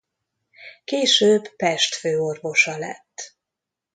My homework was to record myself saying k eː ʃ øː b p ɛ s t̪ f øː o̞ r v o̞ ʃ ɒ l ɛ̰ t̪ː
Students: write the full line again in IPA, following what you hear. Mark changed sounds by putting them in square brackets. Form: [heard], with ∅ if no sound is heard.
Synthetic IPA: k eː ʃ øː b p ɛ [ʃ] t̪ f øː o̞ r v o̞ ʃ ɒ l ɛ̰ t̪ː